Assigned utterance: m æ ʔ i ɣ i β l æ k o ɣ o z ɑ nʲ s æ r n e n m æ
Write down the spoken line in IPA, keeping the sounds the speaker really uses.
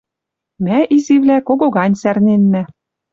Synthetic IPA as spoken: m æ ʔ i z i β l æ k o ɣ o ɣ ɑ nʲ s æ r n e n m æ